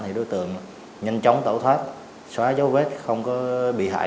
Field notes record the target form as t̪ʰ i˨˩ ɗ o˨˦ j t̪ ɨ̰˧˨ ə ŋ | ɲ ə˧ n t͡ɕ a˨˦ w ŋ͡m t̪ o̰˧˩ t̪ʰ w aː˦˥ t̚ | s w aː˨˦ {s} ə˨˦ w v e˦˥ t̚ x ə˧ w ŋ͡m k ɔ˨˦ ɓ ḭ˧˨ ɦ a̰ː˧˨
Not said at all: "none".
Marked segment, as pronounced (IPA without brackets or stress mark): z